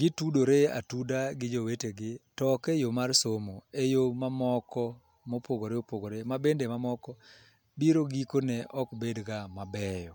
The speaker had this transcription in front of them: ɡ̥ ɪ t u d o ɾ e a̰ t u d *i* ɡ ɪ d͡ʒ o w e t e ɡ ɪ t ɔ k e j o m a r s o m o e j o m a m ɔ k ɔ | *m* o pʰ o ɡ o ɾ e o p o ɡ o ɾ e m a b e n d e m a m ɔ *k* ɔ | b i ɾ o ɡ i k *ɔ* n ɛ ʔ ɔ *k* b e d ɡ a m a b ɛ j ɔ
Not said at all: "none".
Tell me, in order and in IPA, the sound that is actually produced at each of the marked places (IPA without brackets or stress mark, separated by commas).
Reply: a, m, k, o, k